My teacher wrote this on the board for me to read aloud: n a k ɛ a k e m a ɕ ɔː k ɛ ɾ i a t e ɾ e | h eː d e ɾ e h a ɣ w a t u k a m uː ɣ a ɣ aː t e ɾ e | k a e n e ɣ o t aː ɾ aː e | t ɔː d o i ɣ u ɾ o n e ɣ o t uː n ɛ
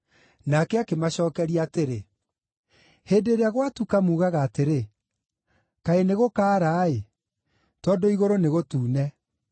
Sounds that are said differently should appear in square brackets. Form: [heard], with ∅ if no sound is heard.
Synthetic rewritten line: n a k ɛ a k e m a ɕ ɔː k ɛ ɾ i a t e ɾ e | h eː d e ɾ e [∅] a ɣ w a t u k a m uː ɣ a ɣ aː t e ɾ e | k a e n e ɣ o [k] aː ɾ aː e | t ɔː d o i ɣ [o] ɾ o n e ɣ o t uː n ɛ